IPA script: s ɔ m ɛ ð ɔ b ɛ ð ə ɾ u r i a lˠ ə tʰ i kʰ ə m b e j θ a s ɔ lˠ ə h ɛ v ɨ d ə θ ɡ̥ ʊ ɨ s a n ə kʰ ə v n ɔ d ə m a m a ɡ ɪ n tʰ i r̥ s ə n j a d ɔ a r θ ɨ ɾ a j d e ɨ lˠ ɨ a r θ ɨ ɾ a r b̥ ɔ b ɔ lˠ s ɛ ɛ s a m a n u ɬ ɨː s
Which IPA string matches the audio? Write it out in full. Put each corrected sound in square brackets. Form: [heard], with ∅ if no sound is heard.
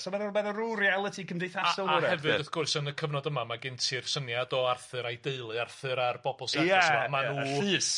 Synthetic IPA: s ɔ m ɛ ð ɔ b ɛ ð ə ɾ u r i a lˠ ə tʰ i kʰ ə m [d] e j θ a s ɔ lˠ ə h ɛ v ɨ d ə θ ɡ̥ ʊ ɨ s [ə] n ə kʰ ə v n ɔ d ə m a m a ɡ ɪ n tʰ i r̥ s ə n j a d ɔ a r θ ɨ ɾ a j d e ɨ lˠ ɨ a r θ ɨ ɾ a r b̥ ɔ b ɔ lˠ s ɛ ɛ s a m a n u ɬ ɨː s